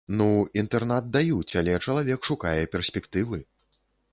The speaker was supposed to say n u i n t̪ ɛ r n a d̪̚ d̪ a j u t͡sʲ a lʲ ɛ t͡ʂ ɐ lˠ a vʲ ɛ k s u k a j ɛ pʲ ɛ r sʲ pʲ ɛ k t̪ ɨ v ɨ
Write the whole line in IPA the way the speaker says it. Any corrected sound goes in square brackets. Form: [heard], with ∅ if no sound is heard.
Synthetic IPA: n u i n t̪ ɛ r n a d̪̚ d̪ a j u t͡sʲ a lʲ ɛ t͡ʂ ɐ lˠ a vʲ ɛ k [ʂ] u k a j ɛ pʲ ɛ r sʲ pʲ ɛ k t̪ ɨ v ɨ